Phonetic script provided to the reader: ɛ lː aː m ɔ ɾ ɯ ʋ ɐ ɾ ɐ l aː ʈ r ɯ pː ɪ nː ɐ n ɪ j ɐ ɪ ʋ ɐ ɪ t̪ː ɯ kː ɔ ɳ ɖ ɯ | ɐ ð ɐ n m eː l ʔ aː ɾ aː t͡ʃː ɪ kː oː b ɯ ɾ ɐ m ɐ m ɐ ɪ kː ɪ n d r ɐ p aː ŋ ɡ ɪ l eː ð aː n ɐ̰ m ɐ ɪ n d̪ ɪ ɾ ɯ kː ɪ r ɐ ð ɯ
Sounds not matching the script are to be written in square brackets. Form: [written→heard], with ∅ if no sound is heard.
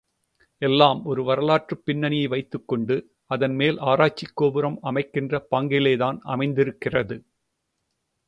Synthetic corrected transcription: ɛ lː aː m ɔ ɾ ɯ ʋ ɐ ɾ ɐ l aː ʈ r ɯ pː ɪ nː ɐ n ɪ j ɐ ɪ ʋ ɐ ɪ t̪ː ɯ kː ɔ ɳ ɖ ɯ | ɐ ð ɐ n m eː l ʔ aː ɾ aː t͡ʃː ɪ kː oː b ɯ ɾ ɐ m ɐ m ɐ ɪ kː ɪ n d r ɐ p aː ŋ ɡ ɪ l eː ð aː n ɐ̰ m ɐ ɪ n d̪ ɪ ɾ ɯ kː ɪ r ɐ ð ɯ